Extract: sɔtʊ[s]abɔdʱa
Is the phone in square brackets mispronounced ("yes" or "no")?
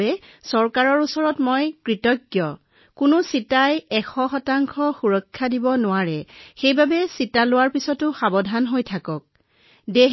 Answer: yes